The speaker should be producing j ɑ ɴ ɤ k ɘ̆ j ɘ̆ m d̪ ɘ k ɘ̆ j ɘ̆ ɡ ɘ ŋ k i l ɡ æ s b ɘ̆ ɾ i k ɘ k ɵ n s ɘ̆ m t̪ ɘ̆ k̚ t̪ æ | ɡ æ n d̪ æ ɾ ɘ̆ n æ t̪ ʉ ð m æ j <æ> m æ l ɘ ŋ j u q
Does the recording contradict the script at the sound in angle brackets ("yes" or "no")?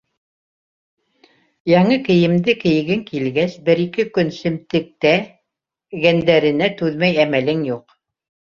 no